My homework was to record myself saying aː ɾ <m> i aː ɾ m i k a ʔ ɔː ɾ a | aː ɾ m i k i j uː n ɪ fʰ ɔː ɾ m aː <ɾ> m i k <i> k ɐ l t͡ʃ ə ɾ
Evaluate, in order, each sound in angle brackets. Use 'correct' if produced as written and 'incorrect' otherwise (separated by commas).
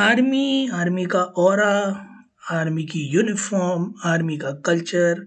correct, correct, incorrect